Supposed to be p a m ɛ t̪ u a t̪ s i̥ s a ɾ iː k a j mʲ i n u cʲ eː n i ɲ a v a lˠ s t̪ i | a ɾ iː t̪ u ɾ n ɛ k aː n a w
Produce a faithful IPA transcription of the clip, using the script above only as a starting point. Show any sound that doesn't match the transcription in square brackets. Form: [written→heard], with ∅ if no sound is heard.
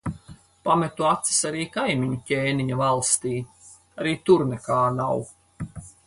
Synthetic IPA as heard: p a m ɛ t̪ u a t̪ s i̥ s a ɾ iː k a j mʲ i [n→ɲ] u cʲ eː n i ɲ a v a lˠ s t̪ [i→iː] | a ɾ iː t̪ u ɾ n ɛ k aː n a w

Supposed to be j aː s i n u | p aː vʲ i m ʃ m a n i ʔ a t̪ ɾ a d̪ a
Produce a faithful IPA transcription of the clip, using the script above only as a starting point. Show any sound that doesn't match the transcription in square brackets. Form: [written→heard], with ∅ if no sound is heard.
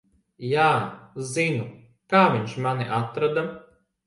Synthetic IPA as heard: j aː [s→z] i n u | [p→k] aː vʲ i [m→ɲ] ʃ m a n i ʔ a t̪ ɾ a d̪ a

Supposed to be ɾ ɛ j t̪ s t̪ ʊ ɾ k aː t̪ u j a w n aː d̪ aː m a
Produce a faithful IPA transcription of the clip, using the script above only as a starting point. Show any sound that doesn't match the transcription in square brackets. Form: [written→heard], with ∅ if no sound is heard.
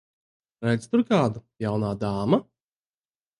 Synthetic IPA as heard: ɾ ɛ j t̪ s t̪ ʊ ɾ k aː [t̪→d̪] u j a w n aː d̪ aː m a

